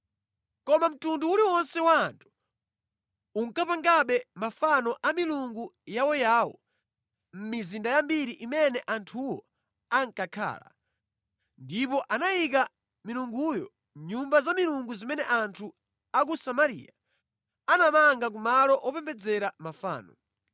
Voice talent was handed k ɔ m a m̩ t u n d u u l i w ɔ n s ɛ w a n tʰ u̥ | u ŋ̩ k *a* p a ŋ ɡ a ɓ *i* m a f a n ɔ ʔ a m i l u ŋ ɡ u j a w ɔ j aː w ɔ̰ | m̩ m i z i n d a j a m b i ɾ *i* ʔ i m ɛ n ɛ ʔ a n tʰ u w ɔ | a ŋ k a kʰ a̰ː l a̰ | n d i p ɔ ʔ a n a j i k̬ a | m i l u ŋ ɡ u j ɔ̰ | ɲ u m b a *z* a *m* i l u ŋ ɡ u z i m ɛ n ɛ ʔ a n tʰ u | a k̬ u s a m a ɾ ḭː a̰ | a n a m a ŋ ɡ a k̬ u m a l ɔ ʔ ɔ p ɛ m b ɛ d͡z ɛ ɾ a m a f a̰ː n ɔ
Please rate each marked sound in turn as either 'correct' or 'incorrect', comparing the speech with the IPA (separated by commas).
correct, incorrect, correct, correct, correct